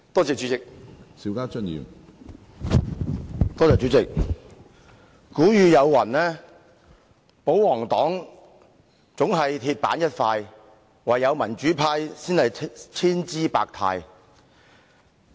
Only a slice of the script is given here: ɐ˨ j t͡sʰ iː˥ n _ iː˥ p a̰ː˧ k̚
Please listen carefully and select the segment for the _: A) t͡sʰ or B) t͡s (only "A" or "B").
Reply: B